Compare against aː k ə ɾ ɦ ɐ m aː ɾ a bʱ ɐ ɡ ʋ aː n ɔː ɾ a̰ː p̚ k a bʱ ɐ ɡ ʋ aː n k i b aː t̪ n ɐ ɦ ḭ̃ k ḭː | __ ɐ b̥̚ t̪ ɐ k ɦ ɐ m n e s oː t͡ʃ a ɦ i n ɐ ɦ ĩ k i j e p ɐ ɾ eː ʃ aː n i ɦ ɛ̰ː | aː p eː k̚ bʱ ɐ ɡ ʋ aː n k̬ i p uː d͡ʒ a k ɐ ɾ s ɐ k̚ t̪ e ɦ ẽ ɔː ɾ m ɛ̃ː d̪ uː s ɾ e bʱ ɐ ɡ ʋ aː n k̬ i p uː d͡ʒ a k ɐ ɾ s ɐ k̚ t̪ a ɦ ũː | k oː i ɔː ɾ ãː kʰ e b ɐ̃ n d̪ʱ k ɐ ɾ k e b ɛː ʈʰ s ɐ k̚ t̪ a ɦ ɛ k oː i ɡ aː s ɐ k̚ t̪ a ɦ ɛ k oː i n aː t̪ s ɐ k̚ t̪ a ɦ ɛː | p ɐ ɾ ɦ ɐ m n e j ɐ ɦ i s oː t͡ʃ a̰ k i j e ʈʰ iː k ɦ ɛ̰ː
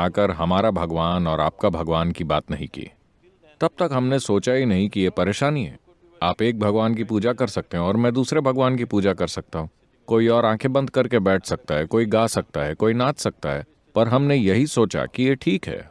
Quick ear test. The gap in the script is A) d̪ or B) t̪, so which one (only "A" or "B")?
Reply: B